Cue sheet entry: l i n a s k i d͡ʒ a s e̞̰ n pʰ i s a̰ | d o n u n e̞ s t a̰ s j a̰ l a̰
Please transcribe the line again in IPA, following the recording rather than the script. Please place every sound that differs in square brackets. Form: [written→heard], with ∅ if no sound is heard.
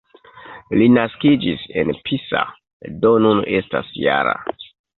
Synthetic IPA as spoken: l i n a s k i d͡ʒ [a→i] s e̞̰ n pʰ i s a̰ | d o n u n e̞ s t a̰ s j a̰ [l→ɾ] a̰